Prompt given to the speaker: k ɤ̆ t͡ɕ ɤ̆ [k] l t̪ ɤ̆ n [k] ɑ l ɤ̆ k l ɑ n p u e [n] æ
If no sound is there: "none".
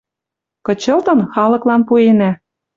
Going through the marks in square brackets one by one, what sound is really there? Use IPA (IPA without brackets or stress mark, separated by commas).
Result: none, x, n